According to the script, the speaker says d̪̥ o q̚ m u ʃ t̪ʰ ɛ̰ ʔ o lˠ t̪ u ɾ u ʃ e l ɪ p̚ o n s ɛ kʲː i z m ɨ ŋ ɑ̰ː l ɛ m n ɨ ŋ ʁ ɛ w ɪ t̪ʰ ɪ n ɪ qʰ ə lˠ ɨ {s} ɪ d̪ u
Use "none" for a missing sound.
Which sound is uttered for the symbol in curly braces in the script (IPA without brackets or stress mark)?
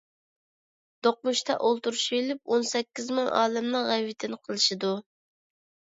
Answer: ʃ